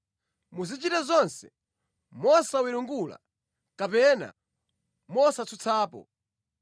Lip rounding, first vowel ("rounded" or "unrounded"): rounded